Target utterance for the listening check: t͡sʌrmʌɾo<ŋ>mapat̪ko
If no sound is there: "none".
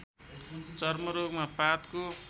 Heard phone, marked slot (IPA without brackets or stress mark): ɡ